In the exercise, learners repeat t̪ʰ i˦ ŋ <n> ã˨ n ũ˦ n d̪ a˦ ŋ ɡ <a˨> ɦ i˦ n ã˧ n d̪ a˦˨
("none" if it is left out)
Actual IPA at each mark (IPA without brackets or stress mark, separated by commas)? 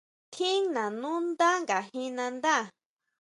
n, a˨